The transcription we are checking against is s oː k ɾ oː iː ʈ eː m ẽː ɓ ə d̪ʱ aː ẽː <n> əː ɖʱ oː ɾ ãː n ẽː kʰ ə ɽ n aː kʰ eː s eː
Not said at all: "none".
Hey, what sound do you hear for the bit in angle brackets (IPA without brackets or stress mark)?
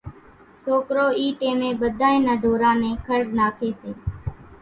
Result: n